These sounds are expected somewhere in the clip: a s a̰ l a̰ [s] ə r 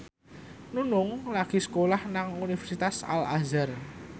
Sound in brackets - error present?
yes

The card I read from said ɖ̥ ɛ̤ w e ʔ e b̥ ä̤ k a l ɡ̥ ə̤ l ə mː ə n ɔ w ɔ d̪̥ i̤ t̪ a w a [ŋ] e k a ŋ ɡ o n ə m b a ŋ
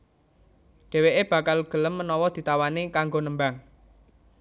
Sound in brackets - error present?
yes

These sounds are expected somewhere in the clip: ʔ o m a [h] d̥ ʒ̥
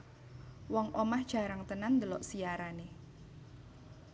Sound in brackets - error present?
no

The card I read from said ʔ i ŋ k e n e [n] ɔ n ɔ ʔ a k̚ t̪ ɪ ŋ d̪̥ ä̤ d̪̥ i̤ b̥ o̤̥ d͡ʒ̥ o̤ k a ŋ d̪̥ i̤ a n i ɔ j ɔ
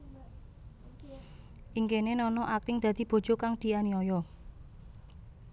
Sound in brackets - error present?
no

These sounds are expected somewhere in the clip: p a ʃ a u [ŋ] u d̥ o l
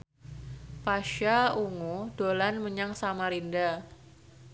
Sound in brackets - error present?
no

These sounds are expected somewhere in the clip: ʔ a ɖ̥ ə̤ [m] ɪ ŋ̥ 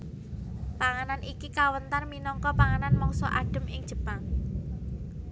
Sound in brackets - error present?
no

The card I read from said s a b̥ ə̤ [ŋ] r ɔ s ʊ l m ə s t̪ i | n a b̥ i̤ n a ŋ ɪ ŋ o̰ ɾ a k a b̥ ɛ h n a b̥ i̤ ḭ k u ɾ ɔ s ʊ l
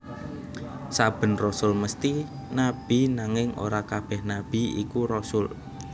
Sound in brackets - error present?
yes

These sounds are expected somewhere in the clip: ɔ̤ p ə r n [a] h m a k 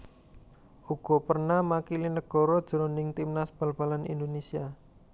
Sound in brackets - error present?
no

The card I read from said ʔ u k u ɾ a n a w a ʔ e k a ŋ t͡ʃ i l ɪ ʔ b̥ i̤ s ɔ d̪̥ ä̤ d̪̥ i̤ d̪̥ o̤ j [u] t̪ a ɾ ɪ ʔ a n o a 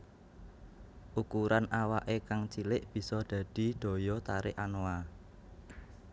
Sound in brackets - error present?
yes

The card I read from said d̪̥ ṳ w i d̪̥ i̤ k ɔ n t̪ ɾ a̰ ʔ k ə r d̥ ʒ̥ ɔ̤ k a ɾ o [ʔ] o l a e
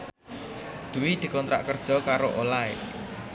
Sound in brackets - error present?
no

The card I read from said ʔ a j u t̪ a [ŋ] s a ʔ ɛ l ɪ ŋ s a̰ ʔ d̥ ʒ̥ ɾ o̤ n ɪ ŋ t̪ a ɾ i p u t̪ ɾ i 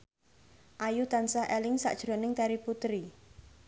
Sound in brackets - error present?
yes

